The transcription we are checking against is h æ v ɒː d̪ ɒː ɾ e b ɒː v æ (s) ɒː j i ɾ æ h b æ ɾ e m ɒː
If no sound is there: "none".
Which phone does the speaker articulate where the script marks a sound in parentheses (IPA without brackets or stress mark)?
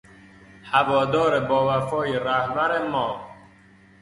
f